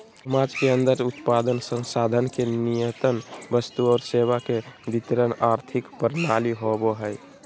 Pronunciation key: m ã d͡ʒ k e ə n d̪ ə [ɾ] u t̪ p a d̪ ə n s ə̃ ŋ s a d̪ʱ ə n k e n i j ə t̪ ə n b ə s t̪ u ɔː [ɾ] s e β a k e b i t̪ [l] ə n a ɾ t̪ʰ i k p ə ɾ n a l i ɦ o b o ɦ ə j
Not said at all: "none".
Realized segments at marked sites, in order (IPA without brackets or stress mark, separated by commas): ɾ, ɾ, ɾ